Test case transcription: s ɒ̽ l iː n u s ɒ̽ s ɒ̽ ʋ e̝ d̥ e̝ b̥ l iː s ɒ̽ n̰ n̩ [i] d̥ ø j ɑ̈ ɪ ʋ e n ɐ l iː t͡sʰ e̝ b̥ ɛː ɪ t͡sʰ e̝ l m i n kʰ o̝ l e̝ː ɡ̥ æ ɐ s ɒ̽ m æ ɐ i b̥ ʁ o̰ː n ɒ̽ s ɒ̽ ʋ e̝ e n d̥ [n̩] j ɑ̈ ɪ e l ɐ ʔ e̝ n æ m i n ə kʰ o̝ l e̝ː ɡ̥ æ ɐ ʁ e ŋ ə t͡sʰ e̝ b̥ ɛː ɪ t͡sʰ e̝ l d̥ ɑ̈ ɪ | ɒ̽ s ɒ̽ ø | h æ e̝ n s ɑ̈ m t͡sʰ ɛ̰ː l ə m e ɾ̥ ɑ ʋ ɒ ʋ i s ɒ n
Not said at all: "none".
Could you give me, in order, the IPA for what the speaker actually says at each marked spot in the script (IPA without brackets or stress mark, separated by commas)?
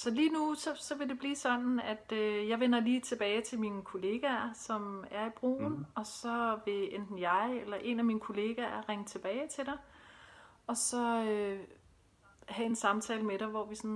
æ, n̩